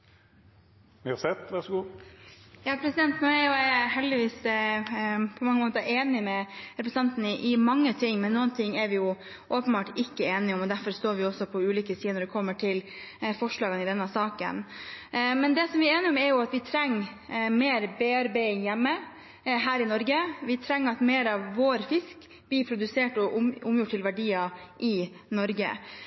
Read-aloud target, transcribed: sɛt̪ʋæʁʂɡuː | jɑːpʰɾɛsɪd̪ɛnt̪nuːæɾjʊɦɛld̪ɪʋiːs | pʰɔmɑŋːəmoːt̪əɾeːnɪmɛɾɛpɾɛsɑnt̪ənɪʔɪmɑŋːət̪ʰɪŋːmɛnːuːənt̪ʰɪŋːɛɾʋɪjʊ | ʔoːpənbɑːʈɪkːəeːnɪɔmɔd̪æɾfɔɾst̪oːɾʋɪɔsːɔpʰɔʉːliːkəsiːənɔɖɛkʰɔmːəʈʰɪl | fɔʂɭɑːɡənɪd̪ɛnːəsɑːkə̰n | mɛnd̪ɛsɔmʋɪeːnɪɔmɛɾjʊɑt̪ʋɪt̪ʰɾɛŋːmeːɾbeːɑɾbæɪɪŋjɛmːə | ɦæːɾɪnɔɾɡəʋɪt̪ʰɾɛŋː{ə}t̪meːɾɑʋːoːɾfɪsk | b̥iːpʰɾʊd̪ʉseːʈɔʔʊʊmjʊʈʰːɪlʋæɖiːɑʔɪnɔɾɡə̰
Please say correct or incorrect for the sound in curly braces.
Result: incorrect: ɑ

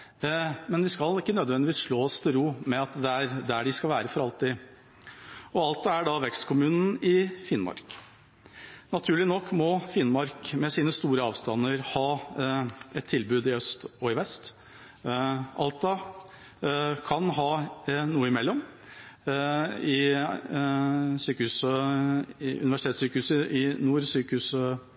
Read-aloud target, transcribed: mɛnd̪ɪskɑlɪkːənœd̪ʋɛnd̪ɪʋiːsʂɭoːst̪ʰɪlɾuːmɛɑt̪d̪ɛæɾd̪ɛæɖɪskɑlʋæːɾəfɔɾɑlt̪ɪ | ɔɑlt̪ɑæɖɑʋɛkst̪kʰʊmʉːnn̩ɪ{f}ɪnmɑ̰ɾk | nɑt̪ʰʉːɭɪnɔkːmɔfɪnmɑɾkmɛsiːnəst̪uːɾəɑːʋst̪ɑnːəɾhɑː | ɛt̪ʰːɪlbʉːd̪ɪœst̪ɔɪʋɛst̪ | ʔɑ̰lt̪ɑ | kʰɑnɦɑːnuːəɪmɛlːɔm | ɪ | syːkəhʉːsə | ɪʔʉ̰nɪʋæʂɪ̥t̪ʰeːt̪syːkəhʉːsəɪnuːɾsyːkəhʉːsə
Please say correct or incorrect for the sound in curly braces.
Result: correct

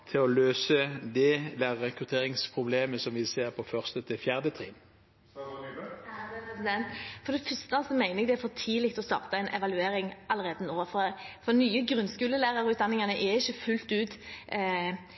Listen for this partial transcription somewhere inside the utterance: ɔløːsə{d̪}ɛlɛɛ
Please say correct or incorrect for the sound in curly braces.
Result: correct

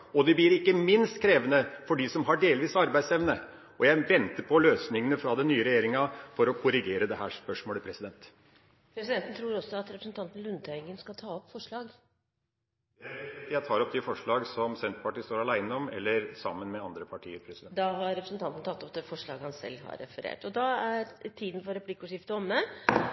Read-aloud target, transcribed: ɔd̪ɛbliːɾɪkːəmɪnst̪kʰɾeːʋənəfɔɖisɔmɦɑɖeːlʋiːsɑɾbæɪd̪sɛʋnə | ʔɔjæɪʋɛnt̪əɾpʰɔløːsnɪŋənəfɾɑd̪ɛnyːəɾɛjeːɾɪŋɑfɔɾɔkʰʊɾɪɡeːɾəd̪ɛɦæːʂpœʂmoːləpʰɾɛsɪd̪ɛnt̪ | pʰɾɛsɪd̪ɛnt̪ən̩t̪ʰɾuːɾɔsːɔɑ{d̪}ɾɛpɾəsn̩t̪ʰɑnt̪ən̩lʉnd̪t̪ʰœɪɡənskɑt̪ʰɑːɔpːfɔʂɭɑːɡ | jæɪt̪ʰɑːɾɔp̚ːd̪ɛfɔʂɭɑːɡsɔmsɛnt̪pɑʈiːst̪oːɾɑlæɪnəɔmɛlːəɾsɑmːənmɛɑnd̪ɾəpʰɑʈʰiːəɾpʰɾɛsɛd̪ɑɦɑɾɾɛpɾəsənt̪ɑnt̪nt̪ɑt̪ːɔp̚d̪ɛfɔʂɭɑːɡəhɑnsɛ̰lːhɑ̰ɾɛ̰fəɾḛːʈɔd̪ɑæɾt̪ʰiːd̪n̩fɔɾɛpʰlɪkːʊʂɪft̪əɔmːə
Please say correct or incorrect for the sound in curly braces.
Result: incorrect: t̪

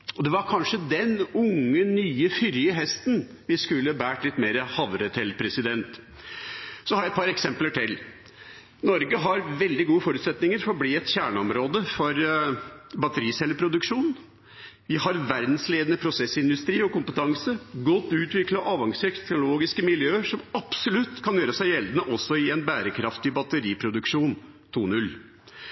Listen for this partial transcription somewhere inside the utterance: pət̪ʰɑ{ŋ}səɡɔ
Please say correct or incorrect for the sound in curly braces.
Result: correct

